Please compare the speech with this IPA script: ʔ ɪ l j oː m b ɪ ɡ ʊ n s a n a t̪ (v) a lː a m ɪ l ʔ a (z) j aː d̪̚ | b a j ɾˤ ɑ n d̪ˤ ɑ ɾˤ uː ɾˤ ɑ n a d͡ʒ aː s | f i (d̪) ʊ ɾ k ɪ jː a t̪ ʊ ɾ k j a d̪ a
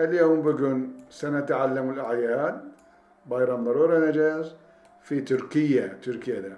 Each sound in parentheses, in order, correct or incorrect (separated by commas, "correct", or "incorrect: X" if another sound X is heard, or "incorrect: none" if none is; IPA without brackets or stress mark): incorrect: ʕ, incorrect: ʕ, incorrect: t̪